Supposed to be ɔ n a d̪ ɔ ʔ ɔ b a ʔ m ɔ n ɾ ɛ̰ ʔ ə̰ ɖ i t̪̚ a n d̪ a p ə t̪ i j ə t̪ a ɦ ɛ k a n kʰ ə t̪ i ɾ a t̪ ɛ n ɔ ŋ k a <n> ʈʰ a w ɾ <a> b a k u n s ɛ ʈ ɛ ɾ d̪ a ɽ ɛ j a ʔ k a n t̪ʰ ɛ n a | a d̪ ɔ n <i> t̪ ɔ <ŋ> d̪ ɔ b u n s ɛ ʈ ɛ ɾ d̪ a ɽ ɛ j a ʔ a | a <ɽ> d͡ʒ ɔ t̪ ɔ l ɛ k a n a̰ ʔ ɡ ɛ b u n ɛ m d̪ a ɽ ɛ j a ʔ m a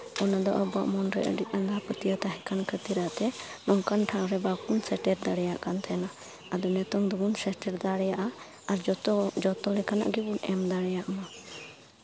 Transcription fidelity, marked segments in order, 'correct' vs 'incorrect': correct, incorrect: ɛ, incorrect: ɛ, correct, incorrect: ɾ

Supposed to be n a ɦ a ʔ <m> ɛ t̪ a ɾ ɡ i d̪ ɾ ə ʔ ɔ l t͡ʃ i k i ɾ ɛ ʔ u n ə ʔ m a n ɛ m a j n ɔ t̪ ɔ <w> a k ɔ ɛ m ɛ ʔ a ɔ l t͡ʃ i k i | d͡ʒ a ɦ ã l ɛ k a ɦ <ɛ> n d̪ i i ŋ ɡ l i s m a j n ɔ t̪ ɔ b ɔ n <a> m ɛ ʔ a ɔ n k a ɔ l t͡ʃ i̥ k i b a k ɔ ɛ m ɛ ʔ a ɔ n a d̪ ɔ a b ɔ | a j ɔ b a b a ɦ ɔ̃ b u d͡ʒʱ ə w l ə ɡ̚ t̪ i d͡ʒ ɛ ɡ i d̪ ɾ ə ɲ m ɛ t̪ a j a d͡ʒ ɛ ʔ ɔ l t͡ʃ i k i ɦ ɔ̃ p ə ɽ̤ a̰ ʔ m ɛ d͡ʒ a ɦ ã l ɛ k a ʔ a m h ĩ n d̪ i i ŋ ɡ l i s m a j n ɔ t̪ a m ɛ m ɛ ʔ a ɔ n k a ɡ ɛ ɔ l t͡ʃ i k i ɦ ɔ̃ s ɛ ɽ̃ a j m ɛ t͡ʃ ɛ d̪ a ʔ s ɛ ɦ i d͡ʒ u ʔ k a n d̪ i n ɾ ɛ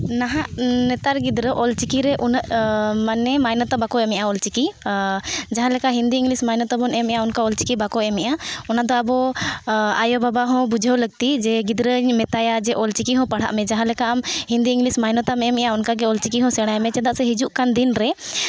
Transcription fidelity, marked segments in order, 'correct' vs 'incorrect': incorrect: n, incorrect: b, incorrect: i, incorrect: ɛ

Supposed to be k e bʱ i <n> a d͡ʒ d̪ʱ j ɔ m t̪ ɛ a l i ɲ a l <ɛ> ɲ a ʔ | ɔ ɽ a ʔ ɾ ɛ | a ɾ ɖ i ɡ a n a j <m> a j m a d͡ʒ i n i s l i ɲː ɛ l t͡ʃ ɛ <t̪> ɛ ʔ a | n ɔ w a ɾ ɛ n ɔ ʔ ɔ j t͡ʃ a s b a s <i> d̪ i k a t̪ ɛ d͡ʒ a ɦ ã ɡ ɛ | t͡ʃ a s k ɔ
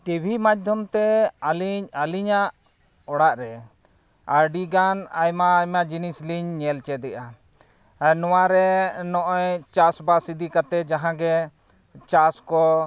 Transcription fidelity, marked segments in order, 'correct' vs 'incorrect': incorrect: m, incorrect: i, correct, incorrect: d̪, correct

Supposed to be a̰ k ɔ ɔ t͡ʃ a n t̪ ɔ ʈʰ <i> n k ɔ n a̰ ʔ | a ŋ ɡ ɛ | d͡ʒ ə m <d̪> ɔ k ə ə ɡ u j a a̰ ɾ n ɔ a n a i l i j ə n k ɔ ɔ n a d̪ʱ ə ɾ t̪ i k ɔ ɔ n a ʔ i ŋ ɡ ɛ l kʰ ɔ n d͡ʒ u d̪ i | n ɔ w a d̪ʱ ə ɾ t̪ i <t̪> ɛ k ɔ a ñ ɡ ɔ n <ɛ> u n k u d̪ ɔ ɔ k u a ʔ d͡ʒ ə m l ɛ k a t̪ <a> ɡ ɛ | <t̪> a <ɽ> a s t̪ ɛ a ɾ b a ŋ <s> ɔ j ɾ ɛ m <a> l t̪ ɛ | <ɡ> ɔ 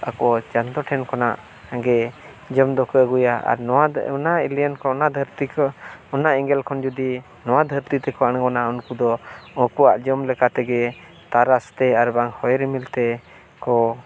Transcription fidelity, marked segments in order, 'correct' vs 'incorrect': incorrect: ɛ, correct, correct, incorrect: a, incorrect: ɛ, correct, incorrect: ɾ, incorrect: h, incorrect: i, incorrect: k

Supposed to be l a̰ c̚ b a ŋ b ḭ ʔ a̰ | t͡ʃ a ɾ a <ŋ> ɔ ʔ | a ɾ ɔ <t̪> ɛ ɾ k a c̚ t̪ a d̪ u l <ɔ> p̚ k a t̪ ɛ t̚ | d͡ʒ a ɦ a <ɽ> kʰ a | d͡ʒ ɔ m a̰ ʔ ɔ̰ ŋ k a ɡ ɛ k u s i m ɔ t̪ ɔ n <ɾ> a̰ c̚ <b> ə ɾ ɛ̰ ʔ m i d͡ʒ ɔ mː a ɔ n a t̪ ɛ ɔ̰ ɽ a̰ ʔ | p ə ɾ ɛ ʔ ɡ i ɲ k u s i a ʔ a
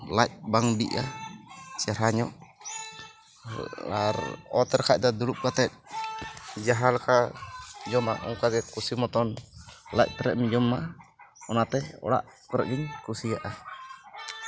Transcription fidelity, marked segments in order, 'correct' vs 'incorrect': incorrect: ɲ, correct, incorrect: u, incorrect: l, incorrect: l, incorrect: p

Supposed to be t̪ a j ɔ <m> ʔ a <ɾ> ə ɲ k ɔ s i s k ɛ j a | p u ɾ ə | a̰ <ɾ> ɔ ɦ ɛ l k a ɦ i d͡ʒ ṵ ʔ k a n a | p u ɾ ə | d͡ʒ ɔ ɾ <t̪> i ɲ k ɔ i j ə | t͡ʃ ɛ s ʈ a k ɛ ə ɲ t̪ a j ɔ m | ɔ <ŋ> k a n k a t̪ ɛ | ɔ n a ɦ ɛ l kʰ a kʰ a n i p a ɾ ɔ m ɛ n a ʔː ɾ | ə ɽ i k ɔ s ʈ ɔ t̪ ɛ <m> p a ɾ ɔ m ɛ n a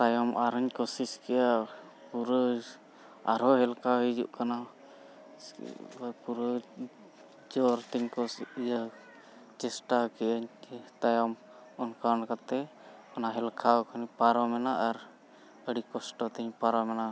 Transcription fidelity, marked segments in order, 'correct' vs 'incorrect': correct, correct, correct, correct, incorrect: n, incorrect: ɲ

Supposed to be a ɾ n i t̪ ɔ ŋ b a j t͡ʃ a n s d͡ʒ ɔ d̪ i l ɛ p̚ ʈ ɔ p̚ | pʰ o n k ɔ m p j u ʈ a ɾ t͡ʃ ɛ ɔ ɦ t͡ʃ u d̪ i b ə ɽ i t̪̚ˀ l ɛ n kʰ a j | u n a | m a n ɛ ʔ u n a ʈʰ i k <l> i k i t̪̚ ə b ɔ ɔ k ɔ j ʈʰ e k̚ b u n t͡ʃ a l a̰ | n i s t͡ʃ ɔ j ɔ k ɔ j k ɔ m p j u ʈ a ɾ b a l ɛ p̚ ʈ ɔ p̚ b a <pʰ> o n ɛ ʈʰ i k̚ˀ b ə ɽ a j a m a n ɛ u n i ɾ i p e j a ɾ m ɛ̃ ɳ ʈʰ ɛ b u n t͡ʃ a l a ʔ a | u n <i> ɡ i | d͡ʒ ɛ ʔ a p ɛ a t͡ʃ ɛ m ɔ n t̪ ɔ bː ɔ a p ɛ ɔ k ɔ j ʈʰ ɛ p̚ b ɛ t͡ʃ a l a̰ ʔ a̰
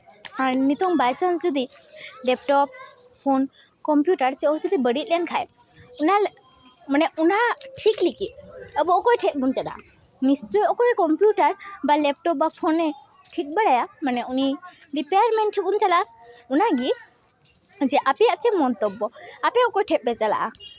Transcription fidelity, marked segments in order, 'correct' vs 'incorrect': correct, correct, incorrect: a

